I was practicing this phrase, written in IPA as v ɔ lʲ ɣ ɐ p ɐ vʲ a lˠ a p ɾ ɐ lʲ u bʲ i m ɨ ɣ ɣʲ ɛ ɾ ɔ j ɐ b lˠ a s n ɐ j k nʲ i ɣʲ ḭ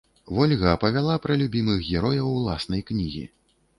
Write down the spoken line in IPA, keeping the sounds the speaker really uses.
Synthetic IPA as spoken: v ɔ lʲ ɣ ɐ p ɐ vʲ a lˠ a p ɾ ɐ lʲ u bʲ i m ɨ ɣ ɣʲ ɛ ɾ ɔ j ɐ w lˠ a s n ɐ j k nʲ i ɣʲ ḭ